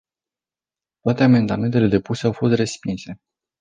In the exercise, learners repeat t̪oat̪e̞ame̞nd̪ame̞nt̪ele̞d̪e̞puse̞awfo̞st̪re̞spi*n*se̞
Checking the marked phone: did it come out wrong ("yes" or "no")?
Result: no